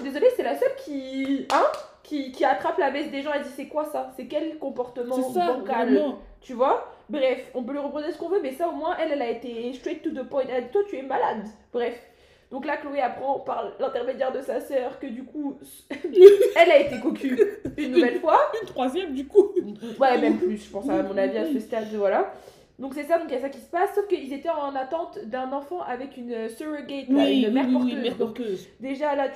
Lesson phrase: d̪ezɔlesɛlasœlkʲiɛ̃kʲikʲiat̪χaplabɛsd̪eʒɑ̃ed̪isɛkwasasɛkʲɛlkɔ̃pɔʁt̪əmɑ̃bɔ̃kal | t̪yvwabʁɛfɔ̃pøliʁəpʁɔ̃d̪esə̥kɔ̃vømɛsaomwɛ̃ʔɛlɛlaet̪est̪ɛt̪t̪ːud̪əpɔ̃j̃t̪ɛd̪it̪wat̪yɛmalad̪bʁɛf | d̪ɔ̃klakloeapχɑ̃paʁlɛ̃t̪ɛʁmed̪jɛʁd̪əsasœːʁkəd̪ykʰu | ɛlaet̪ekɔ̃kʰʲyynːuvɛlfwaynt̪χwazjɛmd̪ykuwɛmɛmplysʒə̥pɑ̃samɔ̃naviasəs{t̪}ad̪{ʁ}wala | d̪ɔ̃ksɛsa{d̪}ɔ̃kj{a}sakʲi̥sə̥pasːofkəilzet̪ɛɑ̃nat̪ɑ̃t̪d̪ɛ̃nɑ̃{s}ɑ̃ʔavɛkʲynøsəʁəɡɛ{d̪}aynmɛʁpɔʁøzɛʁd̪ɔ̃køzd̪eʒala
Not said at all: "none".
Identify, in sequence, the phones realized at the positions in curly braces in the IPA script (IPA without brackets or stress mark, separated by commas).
t̪, v, d̪, a, f, t̪